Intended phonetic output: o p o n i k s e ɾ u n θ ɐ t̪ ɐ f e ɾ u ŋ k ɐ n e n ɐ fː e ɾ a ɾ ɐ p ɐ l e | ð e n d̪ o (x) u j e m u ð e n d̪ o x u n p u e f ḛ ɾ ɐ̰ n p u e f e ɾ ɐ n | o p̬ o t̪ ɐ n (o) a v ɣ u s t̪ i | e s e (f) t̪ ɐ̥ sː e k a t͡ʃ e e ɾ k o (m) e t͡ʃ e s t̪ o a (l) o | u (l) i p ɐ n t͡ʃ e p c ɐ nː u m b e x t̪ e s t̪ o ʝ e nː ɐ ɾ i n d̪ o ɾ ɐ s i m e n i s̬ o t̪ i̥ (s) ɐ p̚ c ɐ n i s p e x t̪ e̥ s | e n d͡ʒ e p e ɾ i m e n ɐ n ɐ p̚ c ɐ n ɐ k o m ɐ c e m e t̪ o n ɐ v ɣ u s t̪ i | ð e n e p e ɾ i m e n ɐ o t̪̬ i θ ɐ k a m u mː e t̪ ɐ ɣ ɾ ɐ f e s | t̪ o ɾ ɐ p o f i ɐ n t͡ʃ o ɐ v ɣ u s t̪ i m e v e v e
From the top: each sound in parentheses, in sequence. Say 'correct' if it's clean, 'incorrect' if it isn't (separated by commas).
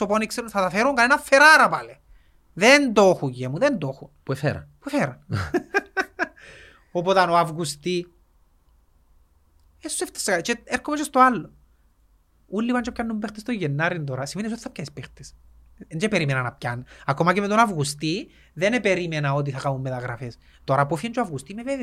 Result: correct, correct, correct, correct, incorrect, incorrect, incorrect